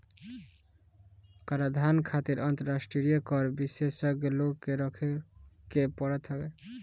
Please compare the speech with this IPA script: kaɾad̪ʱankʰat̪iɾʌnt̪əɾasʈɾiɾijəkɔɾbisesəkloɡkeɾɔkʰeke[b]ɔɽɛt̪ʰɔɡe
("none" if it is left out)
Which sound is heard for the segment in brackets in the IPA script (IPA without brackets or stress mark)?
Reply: p